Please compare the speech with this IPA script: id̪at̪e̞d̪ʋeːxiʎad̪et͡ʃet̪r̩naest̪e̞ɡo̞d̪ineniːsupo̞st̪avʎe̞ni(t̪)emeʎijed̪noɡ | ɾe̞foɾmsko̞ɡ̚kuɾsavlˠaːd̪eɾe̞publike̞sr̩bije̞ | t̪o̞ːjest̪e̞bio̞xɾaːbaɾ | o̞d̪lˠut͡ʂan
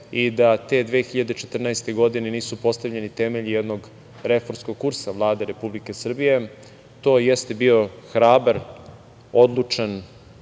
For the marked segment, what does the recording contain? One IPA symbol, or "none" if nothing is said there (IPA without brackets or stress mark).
t̪